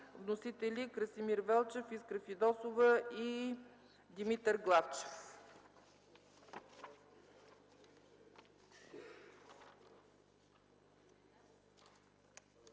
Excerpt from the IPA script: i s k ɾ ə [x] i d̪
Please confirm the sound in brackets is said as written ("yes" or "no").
no